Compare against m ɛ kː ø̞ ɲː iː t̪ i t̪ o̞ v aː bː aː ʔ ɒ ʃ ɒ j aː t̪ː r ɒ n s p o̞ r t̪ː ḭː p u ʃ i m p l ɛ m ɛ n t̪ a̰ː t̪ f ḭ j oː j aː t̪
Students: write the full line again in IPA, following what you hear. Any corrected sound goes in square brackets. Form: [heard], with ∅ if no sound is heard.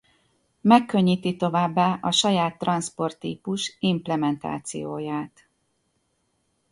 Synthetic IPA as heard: m ɛ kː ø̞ ɲː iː t̪ i t̪ o̞ v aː bː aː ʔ ɒ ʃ ɒ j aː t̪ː r ɒ n s p o̞ r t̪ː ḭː p u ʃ i m p l ɛ m ɛ n t̪ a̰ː t̪ [s] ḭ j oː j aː t̪